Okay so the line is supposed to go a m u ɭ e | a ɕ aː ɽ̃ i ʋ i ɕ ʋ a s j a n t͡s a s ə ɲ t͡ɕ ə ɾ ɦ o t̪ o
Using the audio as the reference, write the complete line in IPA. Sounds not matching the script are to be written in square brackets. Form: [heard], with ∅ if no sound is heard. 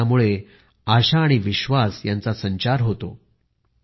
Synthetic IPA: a m u ɭ e | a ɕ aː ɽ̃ i ʋ i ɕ ʋ a s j a n t͡s a s ə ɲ t͡ɕ [a] ɾ ɦ o t̪ o